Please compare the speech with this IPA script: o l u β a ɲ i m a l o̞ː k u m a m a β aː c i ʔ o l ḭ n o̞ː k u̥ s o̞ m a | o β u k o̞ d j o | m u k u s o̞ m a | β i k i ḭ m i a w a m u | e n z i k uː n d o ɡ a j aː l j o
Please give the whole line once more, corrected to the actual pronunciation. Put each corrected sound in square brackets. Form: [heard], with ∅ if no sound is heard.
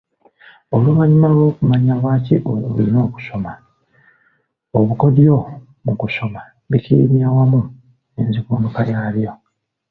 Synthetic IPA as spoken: o l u β a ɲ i m a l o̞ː k u m a [ɲ] a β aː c i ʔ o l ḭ n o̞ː k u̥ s o̞ m a | o β u k o̞ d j o | m u k u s o̞ m a | β i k i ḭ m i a w a m u | e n z i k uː n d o [k] a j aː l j o